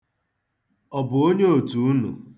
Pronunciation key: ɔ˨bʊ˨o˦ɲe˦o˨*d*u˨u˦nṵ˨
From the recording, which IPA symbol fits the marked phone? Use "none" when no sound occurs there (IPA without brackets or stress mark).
t